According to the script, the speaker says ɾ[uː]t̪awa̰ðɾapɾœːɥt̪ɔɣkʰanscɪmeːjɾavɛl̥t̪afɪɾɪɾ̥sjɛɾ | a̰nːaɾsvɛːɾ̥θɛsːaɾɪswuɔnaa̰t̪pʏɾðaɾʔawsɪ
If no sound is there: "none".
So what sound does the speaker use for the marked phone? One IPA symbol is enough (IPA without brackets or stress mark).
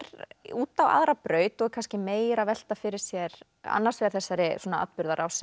uː